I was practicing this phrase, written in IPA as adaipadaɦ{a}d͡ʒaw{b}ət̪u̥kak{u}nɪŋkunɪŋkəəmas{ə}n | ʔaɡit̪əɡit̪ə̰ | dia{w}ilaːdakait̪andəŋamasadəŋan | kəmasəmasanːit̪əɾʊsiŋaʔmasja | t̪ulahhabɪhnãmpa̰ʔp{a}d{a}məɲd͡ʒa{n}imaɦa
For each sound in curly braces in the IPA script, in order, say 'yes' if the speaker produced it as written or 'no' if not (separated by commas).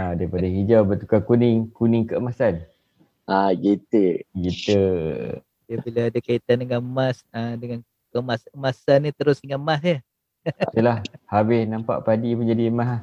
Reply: no, yes, yes, no, no, yes, no, no